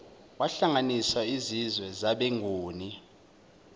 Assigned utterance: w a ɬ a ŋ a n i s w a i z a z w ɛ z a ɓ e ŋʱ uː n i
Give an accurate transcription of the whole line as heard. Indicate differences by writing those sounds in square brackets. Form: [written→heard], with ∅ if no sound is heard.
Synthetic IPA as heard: w a ɬ a ŋ a n i s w a i z [a→i] z w ɛ z a ɓ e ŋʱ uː n i